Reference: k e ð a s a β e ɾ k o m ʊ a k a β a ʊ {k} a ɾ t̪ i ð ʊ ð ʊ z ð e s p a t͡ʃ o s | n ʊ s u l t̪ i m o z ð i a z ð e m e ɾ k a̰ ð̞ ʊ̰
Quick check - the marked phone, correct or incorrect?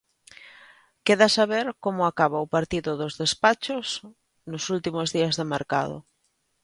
incorrect